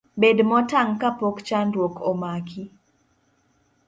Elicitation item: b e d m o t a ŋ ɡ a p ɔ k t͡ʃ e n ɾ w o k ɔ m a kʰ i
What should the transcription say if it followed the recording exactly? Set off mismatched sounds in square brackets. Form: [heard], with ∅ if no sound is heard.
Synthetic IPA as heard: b e d m [ɔ] t a ŋ [k] a p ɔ k t͡ʃ [a] n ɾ w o k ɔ m a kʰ i